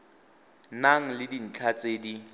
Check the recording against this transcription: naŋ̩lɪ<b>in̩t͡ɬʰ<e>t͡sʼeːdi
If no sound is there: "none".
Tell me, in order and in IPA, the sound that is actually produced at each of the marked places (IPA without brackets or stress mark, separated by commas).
d, a